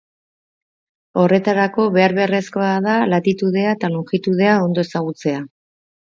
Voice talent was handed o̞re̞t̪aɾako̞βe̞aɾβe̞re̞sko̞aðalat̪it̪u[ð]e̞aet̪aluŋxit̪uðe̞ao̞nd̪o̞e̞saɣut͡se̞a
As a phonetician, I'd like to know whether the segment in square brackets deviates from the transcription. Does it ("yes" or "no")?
no